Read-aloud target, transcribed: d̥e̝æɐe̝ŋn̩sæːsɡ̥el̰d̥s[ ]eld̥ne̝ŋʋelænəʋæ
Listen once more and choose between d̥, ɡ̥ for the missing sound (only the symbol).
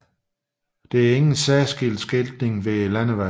ɡ̥